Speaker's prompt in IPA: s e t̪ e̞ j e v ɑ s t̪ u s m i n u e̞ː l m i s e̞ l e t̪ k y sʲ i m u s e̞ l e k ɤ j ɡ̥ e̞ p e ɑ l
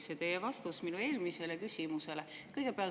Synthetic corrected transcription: s e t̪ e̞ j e v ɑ s t̪ u s m i n u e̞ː l m i s e̞ l e k y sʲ i m u s e̞ l e k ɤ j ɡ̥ e̞ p e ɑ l

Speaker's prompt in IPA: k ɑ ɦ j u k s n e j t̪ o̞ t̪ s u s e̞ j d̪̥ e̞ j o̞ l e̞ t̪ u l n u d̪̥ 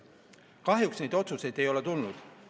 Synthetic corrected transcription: k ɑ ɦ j u k s n e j d̪ o̞ t̪ s u s e̞ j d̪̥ e̞ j o̞ l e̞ t̪ u l n u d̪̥

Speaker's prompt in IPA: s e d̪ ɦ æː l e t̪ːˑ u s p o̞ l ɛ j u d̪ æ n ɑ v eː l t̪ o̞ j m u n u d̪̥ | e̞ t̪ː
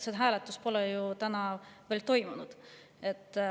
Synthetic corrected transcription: s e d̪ ɦ æː l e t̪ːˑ u s p o̞ l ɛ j u t̪ æ n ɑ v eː l t̪ o̞ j m u n u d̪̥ | e̞ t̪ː

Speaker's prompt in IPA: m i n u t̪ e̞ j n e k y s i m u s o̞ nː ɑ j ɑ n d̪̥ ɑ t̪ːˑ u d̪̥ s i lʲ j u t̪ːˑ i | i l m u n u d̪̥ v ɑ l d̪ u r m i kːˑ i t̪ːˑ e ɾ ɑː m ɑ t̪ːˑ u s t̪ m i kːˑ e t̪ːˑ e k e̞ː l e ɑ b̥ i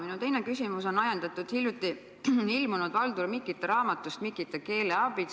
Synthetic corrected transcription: m i n u t̪ e̞ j n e k y s i m u s o̞ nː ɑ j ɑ n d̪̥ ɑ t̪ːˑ u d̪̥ h i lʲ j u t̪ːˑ i | i l m u n u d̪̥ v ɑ l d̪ u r m i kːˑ i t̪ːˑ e ɾ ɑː m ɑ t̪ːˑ u s t̪ m i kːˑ i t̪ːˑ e k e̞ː l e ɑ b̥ i

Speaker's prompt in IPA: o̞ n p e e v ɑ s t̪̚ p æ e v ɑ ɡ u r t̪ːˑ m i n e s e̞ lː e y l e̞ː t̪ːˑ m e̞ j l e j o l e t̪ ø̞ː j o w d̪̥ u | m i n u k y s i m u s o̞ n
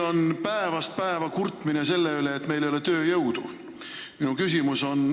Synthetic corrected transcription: o̞ n p æ e v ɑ s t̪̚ p æ e v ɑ k u r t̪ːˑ m i n e s e̞ lː e y l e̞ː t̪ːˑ m e̞ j l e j o l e t̪ ø̞ː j ɤ w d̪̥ u | m i n u k y s i m u s o̞ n

